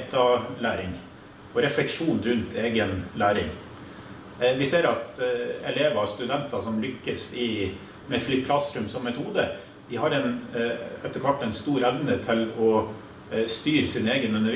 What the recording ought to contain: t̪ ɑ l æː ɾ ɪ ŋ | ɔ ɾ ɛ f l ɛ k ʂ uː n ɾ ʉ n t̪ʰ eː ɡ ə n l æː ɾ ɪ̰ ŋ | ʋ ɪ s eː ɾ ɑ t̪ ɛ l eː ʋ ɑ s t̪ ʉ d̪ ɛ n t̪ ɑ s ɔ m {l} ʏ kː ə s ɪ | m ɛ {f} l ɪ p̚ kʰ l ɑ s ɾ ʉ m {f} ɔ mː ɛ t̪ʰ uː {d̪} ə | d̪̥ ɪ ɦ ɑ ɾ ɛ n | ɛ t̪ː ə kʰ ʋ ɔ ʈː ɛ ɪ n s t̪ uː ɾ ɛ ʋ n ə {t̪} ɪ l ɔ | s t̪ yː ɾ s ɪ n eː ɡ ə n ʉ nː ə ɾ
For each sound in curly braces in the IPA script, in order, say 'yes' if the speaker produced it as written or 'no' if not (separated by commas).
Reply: yes, yes, no, yes, no